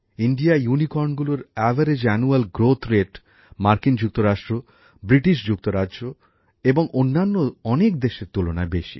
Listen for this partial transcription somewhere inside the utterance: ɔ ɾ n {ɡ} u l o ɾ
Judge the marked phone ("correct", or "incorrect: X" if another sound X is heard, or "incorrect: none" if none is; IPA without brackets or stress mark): correct